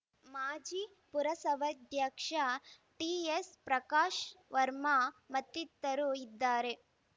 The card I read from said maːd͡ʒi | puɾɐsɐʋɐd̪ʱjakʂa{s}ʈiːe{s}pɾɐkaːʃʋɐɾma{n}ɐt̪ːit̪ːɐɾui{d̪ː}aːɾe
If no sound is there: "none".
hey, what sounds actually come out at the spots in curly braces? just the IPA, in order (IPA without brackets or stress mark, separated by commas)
none, s, m, d̪ː